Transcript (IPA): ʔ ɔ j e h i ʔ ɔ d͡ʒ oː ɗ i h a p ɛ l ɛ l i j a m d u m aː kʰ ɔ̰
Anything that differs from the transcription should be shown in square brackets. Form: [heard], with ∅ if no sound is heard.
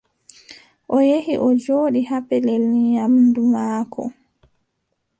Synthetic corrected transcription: ʔ ɔ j e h i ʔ ɔ d͡ʒ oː ɗ i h a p ɛ l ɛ l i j a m d u m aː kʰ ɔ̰